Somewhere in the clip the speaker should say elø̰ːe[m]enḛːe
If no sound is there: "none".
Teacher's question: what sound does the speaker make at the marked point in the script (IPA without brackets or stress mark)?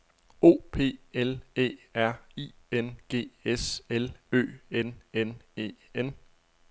n